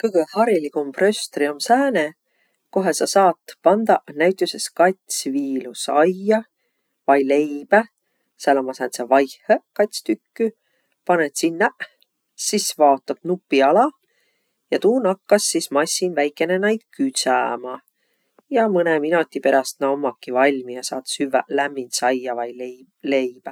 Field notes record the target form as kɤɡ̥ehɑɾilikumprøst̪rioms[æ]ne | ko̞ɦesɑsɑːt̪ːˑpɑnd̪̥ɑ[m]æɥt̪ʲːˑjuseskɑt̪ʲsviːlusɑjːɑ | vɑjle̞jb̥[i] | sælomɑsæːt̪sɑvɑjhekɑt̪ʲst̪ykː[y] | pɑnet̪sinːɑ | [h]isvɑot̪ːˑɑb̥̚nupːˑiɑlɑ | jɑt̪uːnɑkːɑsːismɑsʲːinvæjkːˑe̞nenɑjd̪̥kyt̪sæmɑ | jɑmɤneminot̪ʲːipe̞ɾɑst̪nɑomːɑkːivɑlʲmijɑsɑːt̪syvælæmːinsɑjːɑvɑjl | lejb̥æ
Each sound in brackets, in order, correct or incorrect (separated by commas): incorrect, incorrect, incorrect, correct, incorrect